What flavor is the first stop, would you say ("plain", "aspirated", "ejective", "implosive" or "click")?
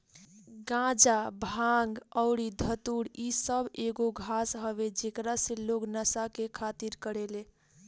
plain